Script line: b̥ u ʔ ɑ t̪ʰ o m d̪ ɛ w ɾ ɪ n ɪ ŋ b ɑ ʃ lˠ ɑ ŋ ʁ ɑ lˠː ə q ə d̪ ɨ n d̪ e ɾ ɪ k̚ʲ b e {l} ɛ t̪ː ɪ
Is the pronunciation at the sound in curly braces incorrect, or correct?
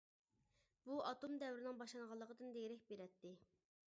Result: incorrect